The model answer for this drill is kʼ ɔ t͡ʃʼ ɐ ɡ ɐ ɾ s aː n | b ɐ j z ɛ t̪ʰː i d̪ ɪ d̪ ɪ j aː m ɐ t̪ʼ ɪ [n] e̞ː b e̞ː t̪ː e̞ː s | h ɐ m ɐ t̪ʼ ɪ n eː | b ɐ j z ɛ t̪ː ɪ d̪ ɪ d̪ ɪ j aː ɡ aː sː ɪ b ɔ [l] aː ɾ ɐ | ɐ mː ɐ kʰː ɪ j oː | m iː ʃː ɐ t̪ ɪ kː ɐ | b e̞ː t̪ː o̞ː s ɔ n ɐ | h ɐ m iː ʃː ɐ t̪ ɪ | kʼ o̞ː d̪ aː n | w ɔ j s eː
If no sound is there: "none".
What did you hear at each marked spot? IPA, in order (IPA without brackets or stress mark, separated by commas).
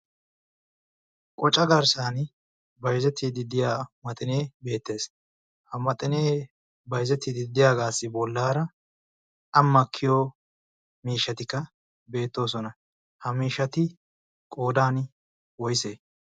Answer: n, lː